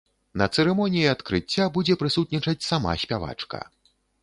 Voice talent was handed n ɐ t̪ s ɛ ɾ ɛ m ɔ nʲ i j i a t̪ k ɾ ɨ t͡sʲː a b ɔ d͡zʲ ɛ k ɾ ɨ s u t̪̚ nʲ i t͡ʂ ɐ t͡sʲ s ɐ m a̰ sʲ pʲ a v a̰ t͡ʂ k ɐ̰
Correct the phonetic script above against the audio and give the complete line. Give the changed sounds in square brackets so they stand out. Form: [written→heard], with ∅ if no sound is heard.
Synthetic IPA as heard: n ɐ t̪ s ɛ ɾ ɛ m ɔ nʲ i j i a t̪ k ɾ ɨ t͡sʲː a b [ɔ→u] d͡zʲ ɛ [k→p] ɾ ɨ s u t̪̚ nʲ i t͡ʂ ɐ t͡sʲ s [ɐ→a] m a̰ sʲ pʲ a v a̰ t͡ʂ k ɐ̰